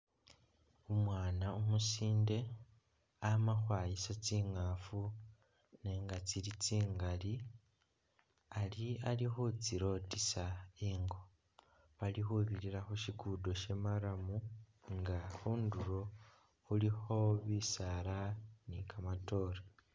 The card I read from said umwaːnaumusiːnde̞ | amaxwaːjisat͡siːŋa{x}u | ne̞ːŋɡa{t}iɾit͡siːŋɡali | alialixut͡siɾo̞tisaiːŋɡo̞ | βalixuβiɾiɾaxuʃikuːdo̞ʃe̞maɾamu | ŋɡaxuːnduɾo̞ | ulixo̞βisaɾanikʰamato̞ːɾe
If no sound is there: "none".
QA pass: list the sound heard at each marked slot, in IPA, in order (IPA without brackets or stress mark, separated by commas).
f, t͡s